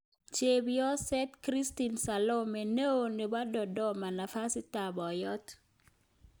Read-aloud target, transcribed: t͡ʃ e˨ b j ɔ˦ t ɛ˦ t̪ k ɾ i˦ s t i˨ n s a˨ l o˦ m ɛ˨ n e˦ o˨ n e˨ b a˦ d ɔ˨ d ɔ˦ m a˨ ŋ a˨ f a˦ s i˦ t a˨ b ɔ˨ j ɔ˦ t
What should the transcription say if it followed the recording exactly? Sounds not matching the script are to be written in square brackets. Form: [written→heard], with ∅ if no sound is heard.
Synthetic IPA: t͡ʃ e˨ b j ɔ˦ [t→s] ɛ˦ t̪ k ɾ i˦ s t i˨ n s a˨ l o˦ m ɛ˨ n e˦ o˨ n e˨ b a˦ d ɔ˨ d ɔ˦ m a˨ [ŋ→n] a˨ f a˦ s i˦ t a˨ b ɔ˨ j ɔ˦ t